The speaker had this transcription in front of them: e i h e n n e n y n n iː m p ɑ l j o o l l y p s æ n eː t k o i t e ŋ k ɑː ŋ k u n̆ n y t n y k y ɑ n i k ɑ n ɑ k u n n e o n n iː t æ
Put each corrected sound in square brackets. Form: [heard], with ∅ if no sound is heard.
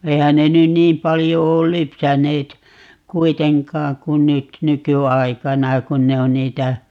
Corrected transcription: e i h [æ] n n e n y n n iː m p ɑ l j o [oː] l l y p s æ n eː t k [u] i t e ŋ k ɑː ŋ k u n̆ n y t n y k y ɑ [∅] i k ɑ n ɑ k u n n e o n n iː t æ